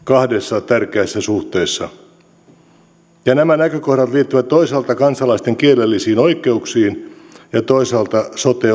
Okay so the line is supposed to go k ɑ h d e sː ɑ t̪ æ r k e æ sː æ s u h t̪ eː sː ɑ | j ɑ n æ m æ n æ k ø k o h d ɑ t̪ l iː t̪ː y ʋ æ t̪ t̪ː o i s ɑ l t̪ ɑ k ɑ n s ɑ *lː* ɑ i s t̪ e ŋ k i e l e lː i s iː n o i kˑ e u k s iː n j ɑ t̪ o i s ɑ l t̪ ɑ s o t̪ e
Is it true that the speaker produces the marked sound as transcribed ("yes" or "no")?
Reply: no